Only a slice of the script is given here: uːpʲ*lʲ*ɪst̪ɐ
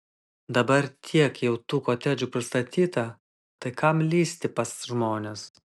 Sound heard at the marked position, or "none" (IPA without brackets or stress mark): ɾʲ